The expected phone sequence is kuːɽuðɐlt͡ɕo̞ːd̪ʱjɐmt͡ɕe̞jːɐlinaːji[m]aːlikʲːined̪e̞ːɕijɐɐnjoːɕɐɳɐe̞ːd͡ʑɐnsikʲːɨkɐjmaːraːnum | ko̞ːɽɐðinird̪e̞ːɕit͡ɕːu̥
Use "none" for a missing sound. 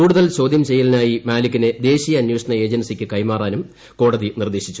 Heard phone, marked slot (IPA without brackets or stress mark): m